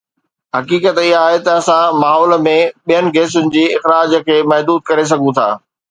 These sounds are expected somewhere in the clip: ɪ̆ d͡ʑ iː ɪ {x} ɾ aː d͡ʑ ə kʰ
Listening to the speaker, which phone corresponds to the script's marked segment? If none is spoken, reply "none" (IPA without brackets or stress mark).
x